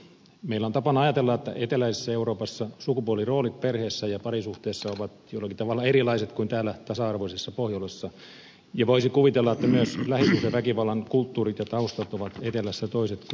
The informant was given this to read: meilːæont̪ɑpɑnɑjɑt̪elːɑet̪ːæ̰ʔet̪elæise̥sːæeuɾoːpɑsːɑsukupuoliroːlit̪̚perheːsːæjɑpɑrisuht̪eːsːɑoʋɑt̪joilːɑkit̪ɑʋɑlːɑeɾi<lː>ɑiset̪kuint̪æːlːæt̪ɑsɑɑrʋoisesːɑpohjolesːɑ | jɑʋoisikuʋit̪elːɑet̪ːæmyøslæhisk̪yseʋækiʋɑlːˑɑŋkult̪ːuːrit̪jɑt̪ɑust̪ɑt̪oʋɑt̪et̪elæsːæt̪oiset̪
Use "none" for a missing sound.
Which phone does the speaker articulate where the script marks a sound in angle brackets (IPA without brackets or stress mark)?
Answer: l